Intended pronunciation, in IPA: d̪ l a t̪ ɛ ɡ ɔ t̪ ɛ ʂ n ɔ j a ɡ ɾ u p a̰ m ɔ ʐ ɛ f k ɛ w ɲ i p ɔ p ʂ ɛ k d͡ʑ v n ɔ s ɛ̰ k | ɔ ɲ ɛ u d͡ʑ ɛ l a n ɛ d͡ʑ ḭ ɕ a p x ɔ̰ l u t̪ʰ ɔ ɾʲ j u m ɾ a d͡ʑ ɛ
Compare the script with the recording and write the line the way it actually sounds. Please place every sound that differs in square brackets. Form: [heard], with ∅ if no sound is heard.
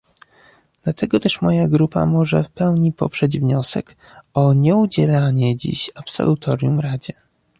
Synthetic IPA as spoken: d̪ l a t̪ ɛ ɡ ɔ t̪ ɛ ʂ [m] ɔ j a ɡ ɾ u p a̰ m ɔ ʐ ɛ f [p] ɛ w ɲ i p ɔ p ʂ ɛ [∅] d͡ʑ v [ɲ] ɔ s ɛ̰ k | ɔ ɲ ɛ u d͡ʑ ɛ l a [ɲ] ɛ d͡ʑ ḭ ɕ a p [s] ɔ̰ l u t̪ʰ ɔ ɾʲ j u m ɾ a d͡ʑ ɛ